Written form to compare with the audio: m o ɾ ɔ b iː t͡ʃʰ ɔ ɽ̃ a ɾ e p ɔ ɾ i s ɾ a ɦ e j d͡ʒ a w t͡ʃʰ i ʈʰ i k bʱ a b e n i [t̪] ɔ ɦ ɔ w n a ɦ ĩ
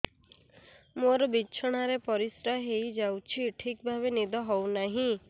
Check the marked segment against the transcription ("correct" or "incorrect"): incorrect